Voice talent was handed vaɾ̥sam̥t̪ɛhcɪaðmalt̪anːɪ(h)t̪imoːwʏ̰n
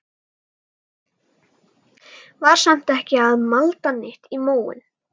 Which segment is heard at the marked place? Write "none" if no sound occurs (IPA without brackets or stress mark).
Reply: h